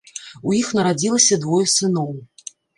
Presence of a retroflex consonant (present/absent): absent